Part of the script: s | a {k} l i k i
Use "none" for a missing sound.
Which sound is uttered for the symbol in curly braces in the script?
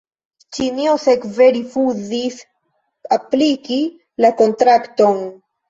p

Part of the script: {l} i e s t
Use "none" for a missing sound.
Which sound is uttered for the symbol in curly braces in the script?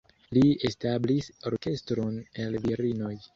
l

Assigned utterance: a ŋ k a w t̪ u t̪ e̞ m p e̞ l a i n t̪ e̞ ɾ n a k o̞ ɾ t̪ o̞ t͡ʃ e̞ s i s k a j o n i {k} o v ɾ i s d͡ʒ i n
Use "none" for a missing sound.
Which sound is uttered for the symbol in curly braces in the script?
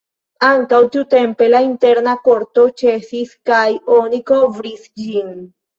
k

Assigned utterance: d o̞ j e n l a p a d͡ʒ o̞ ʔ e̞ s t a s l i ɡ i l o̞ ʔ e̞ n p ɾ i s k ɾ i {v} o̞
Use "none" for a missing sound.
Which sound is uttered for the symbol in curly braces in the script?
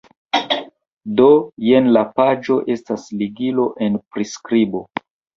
b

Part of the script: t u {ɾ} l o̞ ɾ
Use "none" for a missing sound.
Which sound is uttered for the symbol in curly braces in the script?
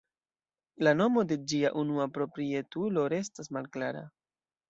none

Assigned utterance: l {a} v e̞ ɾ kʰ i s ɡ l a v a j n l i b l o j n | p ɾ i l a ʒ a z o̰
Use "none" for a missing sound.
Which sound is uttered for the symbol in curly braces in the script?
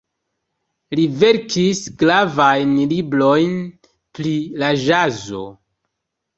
i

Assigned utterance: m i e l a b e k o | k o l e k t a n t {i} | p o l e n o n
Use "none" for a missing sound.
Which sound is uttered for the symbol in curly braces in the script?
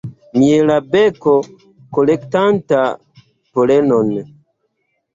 a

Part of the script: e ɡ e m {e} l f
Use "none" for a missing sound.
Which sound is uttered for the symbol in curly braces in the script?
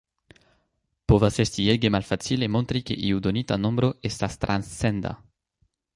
a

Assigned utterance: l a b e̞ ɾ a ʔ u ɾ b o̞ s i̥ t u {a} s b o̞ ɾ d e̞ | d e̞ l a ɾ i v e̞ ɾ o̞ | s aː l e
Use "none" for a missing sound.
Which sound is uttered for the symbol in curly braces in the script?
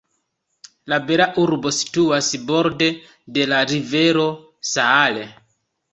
a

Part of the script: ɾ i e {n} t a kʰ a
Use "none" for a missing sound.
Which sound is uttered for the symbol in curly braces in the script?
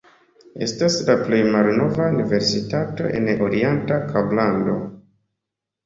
n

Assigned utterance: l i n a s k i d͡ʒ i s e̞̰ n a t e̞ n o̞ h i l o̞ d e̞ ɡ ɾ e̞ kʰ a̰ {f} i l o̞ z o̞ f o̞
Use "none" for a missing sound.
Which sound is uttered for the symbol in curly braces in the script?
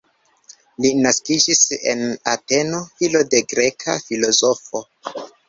f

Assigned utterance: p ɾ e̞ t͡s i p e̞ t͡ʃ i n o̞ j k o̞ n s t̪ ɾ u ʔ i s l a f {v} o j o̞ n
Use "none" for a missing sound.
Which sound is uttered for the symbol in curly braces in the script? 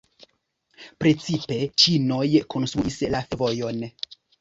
v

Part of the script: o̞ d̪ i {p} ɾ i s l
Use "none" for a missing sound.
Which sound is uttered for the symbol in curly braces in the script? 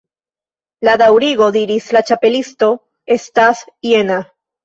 none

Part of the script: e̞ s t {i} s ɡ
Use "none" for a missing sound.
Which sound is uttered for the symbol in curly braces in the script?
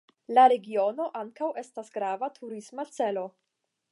a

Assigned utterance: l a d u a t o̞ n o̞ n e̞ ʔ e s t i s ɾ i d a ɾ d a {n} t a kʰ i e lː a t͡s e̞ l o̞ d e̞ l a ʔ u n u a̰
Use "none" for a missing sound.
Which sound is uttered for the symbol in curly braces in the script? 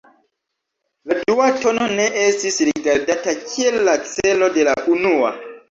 none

